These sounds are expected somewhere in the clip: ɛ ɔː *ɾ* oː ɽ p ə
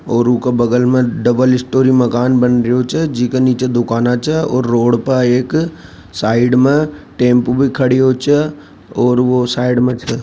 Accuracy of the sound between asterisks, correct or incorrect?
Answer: incorrect